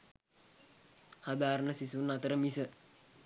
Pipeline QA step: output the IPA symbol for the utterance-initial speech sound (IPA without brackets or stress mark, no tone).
h